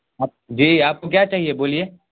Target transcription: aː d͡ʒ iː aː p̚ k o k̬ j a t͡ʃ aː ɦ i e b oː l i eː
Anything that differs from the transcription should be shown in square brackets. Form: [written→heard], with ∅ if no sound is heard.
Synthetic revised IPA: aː d͡ʒ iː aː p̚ k o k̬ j a t͡ʃ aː ɦ i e b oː l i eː